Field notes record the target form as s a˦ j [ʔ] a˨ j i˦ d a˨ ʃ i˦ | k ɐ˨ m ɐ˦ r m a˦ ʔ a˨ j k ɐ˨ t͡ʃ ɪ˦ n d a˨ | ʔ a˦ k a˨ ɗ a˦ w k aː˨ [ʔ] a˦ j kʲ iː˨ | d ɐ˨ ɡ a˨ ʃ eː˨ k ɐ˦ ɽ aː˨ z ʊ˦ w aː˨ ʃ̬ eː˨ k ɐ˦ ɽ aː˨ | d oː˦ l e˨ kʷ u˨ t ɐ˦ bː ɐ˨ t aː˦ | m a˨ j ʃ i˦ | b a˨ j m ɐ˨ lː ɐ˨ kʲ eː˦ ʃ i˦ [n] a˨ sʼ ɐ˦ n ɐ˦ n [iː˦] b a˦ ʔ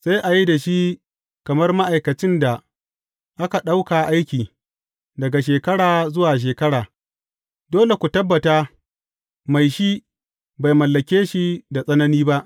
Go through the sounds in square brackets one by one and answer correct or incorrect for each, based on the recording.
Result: correct, correct, incorrect: d, correct

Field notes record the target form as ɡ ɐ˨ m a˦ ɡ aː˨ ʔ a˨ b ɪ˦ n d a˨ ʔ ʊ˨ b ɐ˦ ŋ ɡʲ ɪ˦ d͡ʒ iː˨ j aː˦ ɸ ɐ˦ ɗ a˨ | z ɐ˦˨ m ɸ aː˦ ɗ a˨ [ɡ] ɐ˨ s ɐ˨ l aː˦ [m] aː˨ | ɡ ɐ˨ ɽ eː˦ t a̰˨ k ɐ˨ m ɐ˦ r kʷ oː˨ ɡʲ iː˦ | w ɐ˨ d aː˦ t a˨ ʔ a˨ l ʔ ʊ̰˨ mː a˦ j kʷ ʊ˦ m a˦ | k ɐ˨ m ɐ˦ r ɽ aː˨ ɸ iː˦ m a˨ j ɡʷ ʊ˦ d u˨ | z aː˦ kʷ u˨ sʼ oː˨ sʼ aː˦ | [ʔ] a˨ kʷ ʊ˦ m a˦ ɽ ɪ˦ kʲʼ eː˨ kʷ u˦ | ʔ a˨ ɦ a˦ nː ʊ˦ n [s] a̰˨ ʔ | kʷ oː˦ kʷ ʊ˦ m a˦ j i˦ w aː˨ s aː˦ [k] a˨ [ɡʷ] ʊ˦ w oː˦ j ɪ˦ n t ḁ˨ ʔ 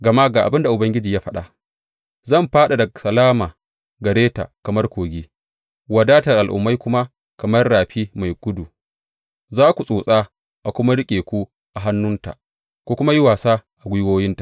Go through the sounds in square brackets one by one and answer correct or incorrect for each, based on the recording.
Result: incorrect: d, correct, correct, incorrect: t, incorrect: ʔ, correct

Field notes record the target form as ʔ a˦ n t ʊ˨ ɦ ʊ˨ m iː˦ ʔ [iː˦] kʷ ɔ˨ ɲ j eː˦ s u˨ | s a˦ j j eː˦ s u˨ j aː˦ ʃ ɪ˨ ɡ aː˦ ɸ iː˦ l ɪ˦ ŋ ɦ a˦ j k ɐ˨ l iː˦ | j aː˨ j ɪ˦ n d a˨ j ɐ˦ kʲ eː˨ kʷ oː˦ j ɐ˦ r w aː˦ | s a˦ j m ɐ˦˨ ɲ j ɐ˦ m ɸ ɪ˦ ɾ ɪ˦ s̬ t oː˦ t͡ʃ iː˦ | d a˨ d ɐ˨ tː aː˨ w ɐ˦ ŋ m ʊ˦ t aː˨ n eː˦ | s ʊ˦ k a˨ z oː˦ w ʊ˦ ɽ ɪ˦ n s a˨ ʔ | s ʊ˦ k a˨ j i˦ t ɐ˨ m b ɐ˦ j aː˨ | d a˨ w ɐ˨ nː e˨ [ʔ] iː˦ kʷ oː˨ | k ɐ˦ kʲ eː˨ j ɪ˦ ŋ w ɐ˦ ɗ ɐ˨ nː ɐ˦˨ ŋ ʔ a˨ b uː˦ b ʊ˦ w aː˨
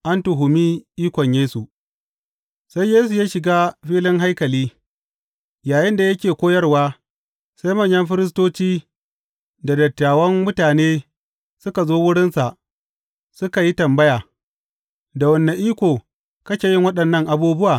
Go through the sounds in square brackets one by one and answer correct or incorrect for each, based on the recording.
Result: correct, correct

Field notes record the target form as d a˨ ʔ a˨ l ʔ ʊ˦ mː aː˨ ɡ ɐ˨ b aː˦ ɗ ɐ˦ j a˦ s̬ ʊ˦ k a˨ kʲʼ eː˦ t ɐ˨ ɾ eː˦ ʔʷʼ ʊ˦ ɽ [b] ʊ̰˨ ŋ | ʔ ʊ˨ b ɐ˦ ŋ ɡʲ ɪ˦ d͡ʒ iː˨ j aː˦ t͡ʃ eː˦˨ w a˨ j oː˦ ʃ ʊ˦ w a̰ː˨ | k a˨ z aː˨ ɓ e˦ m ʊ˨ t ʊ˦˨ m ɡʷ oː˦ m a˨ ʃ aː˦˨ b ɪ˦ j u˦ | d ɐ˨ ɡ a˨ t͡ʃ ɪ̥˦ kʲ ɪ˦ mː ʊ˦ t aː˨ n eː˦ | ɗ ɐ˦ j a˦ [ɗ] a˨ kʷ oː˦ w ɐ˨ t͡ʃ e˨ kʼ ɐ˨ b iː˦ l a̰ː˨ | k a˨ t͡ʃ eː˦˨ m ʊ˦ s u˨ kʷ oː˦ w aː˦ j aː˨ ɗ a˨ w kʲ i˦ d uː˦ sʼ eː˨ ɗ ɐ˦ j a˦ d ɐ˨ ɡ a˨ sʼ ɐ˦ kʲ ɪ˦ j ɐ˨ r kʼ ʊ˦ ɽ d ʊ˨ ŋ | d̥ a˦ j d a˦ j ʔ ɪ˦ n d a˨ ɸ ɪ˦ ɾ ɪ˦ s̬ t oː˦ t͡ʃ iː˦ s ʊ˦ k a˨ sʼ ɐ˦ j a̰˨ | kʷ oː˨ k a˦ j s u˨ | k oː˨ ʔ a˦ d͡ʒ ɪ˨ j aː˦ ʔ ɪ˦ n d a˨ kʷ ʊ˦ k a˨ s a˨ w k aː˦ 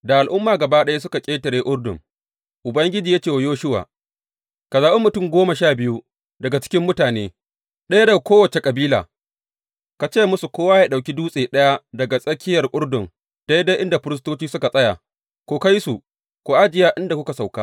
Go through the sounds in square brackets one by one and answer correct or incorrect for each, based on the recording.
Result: incorrect: d, incorrect: d

